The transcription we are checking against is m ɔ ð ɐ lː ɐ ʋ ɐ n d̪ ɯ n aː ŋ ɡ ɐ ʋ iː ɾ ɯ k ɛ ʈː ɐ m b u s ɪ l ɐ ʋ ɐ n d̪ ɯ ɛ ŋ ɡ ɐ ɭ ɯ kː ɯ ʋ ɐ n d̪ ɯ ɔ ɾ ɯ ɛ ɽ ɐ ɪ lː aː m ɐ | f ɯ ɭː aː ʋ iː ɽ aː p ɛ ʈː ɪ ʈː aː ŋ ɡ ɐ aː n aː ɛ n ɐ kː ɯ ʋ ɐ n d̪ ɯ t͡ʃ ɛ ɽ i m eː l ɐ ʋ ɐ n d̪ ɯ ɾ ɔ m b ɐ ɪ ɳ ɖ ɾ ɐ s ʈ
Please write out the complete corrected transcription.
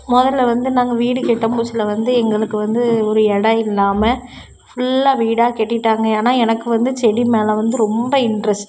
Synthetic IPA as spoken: m ɔ ð ɐ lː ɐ ʋ ɐ n d̪ ɯ n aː ŋ ɡ ɐ ʋ iː ɽ ɯ k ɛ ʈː ɐ m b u s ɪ l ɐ ʋ ɐ n d̪ ɯ ɛ ŋ ɡ ɐ ɭ ɯ kː ɯ ʋ ɐ n d̪ ɯ ɔ ɾ ɯ ɛ ɽ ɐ ɪ lː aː m ɐ | f ʊ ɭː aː ʋ iː ɽ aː k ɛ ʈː ɪ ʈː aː ŋ ɡ ɐ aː n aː ɛ n ɐ kː ɯ ʋ ɐ n d̪ ɯ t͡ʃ ɛ ɽ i m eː l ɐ ʋ ɐ n d̪ ɯ ɾ ɔ m b ɐ ɪ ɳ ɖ ɾ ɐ s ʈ